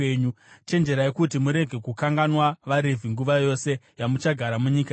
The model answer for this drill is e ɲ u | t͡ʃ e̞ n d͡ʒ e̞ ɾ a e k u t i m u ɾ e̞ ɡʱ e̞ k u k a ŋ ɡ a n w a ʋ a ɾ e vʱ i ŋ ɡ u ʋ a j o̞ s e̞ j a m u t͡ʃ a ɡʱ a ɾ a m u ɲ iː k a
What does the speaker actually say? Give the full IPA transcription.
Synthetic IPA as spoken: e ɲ u | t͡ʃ e̞ n d͡ʒ e̞ ɾ a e k u t i m u ɾ e̞ ɡʱ e̞ k u k a ŋ ɡ a n w a ʋ a ɾ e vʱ i ŋ ɡ u ʋ a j o̞ s e̞ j a m u t͡ʃ a ɡʱ a ɾ a m u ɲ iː k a